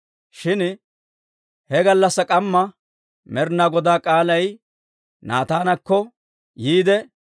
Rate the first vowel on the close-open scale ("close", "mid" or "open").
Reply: close